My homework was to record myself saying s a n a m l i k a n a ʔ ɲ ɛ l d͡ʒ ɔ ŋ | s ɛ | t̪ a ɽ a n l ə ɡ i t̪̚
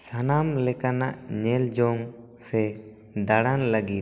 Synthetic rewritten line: s a n a m l ɛ k a n a ʔ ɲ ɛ l d͡ʒ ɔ ŋ | s ɛ | d̪ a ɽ a n l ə ɡ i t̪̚